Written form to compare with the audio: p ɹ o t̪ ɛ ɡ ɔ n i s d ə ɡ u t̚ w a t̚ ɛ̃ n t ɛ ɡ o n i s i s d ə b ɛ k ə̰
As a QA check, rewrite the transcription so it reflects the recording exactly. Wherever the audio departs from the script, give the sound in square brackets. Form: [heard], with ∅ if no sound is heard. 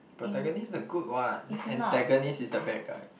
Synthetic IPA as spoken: p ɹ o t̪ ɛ ɡ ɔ n i s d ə ɡ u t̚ w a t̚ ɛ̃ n t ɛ ɡ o n i s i s d ə b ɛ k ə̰